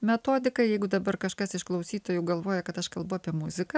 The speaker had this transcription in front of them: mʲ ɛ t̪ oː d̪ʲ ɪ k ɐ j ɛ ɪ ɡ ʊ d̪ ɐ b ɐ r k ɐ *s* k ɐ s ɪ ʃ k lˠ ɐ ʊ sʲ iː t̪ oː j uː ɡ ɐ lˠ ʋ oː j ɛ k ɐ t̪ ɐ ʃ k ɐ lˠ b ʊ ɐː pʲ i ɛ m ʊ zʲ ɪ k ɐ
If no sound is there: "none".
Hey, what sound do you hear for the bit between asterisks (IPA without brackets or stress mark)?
ʃ